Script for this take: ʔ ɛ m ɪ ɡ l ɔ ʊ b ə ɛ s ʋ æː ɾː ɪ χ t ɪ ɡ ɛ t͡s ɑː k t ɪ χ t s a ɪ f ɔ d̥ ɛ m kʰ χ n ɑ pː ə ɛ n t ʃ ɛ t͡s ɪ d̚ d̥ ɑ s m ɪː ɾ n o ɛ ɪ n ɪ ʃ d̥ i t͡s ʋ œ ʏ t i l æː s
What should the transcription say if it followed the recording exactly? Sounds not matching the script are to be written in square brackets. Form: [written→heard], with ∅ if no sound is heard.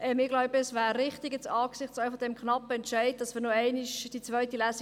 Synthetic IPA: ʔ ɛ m ɪ ɡ l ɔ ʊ b ə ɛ s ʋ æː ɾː ɪ χ t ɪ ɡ ɛ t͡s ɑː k [t→s] ɪ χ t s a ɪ f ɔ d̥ ɛ m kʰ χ n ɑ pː ə ɛ n t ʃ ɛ [t͡s→∅] ɪ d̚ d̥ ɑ s m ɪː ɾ n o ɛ ɪ n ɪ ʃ d̥ i t͡s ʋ œ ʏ t i l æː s